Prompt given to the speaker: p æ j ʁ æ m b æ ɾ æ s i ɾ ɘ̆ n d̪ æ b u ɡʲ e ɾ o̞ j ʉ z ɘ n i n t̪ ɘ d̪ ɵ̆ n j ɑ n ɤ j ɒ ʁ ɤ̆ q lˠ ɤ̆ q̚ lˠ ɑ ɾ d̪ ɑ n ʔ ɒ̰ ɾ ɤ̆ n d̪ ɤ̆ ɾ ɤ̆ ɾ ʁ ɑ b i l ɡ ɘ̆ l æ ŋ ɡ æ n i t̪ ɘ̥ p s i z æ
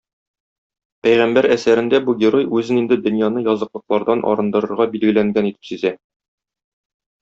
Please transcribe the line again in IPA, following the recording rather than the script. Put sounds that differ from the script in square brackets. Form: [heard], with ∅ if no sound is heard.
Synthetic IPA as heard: p æ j ʁ æ m b æ ɾ æ s [æ] ɾ ɘ̆ n d̪ æ b u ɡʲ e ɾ o̞ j ʉ z ɘ n i n [d̪] ɘ d̪ ɵ̆ n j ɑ n ɤ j ɒ [z] ɤ̆ q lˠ ɤ̆ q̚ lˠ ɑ ɾ d̪ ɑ n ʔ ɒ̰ ɾ ɤ̆ n d̪ ɤ̆ ɾ ɤ̆ ɾ ʁ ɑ b i l ɡ ɘ̆ l æ ŋ ɡ æ n i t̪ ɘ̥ p s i z æ